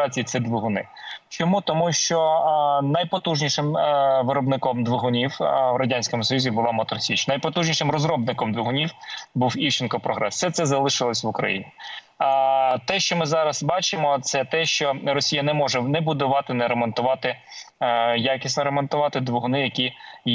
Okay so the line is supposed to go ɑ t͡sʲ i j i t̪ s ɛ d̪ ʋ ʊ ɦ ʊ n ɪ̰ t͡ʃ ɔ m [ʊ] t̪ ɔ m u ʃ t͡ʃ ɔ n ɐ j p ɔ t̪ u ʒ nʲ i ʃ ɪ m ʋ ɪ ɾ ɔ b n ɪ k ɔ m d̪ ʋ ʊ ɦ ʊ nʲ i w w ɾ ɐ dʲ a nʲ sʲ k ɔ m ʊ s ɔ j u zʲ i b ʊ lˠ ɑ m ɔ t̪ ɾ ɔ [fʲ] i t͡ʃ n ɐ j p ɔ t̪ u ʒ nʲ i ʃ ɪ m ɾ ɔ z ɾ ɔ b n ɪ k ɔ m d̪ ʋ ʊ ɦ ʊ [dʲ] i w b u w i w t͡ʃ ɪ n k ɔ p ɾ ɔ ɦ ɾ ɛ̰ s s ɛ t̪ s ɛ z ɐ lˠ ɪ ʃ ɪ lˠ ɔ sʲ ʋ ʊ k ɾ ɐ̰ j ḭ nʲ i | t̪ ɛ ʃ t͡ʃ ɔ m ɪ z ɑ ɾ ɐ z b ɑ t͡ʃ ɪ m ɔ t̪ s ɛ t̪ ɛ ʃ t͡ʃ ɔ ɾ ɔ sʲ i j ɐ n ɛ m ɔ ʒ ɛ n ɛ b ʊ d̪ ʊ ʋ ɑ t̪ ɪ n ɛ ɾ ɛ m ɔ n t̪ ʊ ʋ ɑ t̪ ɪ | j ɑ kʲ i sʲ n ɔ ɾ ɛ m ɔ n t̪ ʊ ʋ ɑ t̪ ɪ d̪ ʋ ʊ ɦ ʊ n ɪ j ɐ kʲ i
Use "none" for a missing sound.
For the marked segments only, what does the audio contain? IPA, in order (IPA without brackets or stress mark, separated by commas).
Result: u, sʲ, nʲ